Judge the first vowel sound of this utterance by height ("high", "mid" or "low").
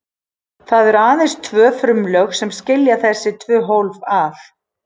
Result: low